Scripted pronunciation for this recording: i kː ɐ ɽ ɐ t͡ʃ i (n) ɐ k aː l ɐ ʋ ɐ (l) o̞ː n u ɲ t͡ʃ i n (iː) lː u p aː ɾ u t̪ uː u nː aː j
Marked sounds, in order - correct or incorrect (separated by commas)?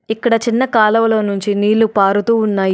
incorrect, correct, correct